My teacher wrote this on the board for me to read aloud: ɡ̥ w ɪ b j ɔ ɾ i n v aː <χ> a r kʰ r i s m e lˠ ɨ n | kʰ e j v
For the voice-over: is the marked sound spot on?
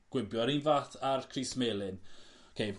no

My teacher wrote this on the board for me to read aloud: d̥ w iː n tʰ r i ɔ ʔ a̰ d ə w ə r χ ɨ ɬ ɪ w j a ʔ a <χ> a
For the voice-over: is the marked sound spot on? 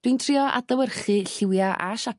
no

